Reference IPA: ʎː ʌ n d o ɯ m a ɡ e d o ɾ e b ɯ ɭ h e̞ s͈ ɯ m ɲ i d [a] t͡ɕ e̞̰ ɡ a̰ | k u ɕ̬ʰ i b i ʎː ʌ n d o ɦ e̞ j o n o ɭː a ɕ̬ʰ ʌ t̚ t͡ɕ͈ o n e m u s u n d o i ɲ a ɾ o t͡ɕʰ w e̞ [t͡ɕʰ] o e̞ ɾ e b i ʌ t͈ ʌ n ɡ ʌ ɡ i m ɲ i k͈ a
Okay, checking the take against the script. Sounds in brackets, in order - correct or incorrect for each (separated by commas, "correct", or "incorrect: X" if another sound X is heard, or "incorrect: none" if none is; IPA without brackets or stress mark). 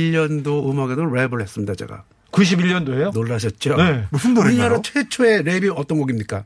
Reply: correct, correct